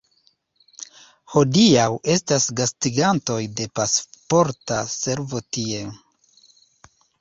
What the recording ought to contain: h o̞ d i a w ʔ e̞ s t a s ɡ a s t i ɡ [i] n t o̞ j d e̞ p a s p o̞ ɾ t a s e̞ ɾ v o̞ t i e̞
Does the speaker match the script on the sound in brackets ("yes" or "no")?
no